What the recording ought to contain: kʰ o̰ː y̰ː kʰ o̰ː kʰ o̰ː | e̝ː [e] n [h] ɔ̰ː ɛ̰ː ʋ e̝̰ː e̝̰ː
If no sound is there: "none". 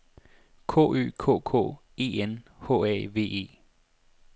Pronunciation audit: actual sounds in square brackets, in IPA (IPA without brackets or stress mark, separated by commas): e, h